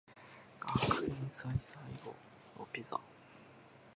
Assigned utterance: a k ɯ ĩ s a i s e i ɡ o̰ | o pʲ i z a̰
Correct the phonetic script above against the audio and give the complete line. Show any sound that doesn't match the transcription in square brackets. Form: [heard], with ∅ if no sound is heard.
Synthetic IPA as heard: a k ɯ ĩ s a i s [a] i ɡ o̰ | o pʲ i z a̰